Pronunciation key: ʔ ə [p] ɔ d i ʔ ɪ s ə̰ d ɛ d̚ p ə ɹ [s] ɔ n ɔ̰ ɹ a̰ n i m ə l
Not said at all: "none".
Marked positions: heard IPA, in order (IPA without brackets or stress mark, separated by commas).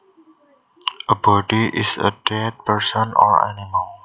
b, s